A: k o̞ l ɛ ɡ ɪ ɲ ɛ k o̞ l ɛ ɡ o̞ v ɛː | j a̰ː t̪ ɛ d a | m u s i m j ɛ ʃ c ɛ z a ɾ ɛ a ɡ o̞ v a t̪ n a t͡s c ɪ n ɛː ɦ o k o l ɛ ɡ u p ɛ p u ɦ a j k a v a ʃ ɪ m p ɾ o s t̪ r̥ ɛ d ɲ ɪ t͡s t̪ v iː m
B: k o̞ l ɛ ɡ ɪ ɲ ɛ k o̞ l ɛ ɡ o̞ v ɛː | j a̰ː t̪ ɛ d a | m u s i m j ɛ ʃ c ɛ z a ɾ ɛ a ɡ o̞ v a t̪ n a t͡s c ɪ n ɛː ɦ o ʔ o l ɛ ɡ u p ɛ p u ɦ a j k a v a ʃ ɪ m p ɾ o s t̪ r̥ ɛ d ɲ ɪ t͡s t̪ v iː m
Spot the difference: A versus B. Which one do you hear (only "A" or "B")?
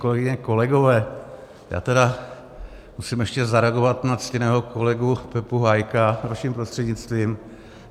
A